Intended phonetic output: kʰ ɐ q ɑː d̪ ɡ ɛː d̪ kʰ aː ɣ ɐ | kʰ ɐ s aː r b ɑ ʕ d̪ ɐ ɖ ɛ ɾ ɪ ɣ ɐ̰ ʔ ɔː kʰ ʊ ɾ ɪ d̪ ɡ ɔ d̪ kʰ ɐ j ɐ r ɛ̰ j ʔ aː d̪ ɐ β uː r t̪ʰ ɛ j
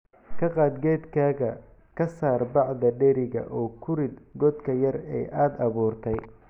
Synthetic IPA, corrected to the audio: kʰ ɐ q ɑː d̪ ɡ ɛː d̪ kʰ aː ɣ ɐ | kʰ ɐ s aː r b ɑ ʕ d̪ ɐ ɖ ɛ ɾ ɪ ɣ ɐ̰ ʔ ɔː kʰ ʊ ɾ ɪ d̪ ɡ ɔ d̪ kʰ ɐ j ɐ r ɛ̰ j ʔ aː d̪ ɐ β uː r t̪ʰ ɛ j